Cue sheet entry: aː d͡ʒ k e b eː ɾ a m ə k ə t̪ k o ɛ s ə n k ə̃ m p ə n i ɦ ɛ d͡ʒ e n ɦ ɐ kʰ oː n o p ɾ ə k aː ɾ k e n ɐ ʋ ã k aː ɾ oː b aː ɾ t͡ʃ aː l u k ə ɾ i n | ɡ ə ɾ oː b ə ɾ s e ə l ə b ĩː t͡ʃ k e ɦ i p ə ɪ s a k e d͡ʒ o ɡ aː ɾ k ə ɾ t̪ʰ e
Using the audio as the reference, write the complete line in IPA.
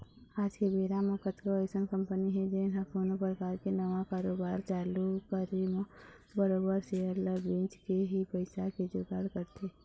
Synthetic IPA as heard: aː d͡ʒ k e b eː ɾ a m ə k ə t̪ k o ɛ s ə n k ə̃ m p ə n i ɦ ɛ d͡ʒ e n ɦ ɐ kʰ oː n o p ɾ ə k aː ɾ k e n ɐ ʋ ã k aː ɾ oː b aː ɾ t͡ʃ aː l u k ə ɾ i m | b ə ɾ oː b ə ɾ s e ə l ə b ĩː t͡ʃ k e ɦ i p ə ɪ s a k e d͡ʒ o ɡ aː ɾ k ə ɾ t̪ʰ e